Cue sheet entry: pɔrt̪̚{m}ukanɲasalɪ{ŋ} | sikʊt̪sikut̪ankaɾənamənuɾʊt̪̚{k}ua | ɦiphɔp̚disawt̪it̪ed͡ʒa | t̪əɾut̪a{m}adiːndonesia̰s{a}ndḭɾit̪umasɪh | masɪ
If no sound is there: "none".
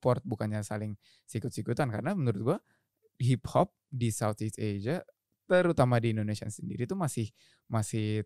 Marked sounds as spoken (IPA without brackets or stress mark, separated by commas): b, ŋ, ɡ, m, ə